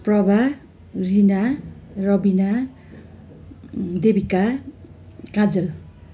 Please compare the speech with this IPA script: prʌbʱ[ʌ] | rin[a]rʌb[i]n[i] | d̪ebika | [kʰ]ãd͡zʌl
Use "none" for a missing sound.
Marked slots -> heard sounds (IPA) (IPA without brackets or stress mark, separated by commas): a, a, i, a, k